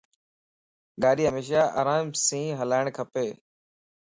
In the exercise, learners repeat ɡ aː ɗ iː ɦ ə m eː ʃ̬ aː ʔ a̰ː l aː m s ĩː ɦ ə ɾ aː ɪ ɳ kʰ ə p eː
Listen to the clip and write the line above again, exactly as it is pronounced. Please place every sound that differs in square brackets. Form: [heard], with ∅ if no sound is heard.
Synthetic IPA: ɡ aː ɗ iː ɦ ə m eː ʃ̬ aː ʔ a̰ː [ɾ] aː m s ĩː ɦ ə [l] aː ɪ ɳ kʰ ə p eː